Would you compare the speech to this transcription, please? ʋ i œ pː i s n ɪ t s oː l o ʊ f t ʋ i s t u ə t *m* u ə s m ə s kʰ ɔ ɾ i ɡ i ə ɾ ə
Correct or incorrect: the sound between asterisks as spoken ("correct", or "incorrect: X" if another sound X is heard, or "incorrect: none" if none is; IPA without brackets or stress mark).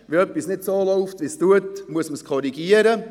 correct